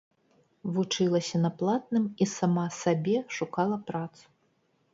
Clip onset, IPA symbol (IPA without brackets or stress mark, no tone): v